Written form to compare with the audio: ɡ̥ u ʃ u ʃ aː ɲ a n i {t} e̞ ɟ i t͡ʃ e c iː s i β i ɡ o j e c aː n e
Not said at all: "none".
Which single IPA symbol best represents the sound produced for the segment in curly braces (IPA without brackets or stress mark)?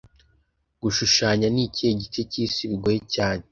c